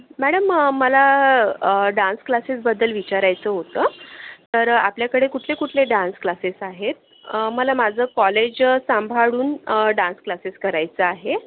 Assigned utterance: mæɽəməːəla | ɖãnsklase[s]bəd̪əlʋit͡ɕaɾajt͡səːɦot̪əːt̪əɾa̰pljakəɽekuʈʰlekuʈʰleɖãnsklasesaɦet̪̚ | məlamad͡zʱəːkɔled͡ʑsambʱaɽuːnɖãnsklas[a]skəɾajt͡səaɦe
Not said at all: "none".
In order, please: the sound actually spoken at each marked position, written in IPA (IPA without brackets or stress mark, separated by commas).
s, e